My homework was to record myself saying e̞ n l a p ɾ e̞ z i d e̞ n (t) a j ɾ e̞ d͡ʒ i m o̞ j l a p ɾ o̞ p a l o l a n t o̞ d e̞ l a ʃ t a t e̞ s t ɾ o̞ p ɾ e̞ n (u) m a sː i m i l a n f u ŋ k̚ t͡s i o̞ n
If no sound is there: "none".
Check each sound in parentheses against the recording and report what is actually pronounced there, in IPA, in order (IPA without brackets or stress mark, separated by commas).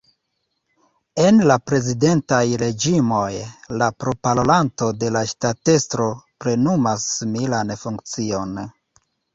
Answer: t, u